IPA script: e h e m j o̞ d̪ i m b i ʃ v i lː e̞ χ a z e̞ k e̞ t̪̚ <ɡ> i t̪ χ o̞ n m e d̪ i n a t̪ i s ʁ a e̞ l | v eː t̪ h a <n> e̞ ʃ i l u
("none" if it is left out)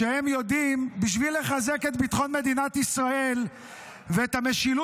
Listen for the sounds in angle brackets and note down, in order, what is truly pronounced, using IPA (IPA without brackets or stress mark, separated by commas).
b, m